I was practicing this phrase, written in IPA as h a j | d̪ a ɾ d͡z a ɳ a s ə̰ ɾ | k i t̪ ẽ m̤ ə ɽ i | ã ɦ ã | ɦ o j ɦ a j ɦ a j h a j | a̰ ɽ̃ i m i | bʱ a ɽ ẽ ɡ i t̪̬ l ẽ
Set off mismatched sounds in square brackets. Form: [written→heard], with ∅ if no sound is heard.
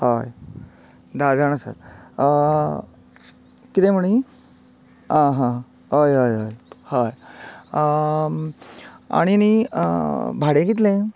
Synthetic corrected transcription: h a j | d̪ a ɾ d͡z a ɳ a s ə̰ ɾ | k i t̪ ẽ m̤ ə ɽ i | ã ɦ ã | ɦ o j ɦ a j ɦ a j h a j | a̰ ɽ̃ i [m→n] i | bʱ a ɽ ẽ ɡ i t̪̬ l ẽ